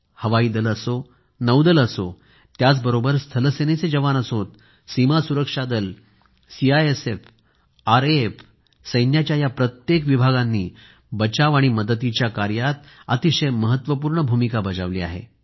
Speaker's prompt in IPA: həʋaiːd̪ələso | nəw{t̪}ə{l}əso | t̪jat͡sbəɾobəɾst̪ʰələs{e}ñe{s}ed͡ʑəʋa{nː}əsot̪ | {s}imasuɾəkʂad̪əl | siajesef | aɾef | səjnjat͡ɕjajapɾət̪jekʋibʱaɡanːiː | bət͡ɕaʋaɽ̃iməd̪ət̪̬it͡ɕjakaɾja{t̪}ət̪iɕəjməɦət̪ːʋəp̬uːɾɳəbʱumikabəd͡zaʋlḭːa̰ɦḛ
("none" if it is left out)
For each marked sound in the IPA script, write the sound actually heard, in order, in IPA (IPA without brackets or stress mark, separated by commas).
d̪, l, e, t͡s, n, s, t̪